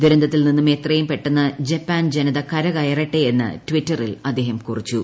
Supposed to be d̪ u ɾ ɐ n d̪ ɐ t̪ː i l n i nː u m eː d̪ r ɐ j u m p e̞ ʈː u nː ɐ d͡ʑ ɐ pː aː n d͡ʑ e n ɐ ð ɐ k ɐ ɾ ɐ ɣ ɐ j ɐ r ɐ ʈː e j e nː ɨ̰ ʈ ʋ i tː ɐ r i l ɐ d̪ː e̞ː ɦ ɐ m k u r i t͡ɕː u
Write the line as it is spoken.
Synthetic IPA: d̪ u ɾ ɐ n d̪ ɐ t̪ː i l n i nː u m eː t̪ r ɐ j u m p e̞ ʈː u nː ɐ d͡ʑ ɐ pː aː n d͡ʑ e n ɐ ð ɐ k ɐ ɾ ɐ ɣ ɐ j ɐ r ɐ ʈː e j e nː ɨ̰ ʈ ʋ i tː ɐ r i l ɐ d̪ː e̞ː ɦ ɐ m k u r i t͡ɕː u